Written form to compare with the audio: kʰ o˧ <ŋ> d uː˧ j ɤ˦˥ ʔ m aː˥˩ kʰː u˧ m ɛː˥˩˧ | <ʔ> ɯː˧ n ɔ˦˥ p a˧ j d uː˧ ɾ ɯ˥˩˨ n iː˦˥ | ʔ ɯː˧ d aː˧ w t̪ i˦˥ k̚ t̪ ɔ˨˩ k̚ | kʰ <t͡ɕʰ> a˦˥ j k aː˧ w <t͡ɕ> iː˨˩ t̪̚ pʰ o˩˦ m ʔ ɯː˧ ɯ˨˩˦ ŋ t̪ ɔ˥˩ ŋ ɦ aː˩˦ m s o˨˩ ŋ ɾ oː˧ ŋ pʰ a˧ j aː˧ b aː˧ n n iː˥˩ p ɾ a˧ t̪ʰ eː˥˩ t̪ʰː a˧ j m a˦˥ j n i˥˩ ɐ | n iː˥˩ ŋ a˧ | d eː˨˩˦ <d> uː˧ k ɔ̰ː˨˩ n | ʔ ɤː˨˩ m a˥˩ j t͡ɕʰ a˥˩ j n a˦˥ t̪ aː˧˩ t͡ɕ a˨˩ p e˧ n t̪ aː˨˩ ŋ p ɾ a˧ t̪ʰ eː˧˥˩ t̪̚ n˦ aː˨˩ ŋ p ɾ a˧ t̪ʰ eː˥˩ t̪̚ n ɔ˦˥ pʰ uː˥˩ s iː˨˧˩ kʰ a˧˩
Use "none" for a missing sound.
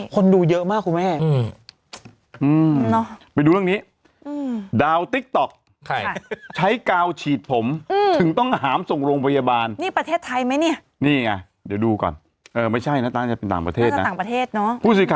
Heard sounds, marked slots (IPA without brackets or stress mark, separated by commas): n, ʔ, t͡ɕʰ, t͡ɕʰ, d